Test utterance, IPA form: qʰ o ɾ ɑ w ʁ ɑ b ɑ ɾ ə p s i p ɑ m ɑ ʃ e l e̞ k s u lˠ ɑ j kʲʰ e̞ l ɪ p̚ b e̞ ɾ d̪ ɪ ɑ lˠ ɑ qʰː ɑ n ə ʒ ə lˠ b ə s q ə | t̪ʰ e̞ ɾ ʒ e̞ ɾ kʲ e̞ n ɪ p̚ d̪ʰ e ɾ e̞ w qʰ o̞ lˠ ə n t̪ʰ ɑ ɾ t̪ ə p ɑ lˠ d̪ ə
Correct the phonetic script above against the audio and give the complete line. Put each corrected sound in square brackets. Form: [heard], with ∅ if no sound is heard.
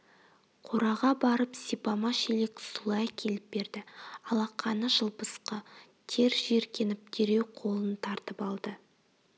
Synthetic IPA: qʰ o ɾ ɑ [∅] ʁ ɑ b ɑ ɾ ə p s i p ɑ m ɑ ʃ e l e̞ k s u lˠ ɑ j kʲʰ e̞ l ɪ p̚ b e̞ ɾ d̪ ɪ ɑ lˠ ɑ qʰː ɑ n ə ʒ ə lˠ b ə s q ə | t̪ʰ e̞ ɾ ʒ e̞ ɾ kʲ e̞ n ɪ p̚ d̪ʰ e ɾ e̞ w qʰ o̞ lˠ ə n t̪ʰ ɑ ɾ t̪ ə p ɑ lˠ d̪ ə